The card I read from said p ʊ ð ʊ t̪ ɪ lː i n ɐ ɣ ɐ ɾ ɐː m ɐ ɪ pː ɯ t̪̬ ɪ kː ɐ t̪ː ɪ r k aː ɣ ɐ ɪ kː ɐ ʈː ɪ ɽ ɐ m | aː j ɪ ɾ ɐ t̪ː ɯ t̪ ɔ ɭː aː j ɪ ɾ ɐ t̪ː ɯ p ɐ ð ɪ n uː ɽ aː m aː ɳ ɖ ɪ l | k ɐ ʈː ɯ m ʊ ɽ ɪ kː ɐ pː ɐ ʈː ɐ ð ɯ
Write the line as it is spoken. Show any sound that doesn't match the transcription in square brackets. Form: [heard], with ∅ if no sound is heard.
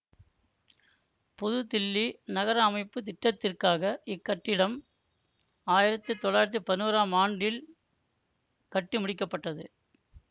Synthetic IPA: p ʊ ð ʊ t̪ ɪ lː i n ɐ ɣ ɐ ɾ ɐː m ɐ ɪ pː ɯ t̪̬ ɪ [ʈː] ɐ t̪ː ɪ r k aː ɣ ɐ ɪ kː ɐ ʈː ɪ ɽ ɐ m | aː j ɪ ɾ ɐ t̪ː ɯ t̪ ɔ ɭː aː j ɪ ɾ ɐ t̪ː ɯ p ɐ ð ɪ n uː [ɾ] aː m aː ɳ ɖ ɪ l | k ɐ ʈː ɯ m ʊ ɽ ɪ kː ɐ pː ɐ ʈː ɐ ð ɯ